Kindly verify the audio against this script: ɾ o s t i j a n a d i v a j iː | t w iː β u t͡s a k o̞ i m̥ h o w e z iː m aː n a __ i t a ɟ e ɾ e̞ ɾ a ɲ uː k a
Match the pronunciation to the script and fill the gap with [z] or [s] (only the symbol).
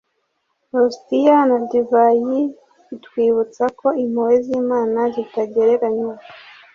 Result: z